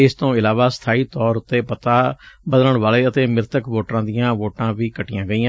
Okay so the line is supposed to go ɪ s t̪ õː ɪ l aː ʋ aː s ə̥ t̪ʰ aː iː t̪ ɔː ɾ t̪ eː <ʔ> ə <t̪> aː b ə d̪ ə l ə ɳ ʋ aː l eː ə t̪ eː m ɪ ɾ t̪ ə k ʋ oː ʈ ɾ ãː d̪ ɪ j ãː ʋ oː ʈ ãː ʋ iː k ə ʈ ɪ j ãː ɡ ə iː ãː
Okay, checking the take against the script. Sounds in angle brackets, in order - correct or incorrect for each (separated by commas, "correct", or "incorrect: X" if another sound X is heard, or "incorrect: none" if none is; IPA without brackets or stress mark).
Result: incorrect: p, correct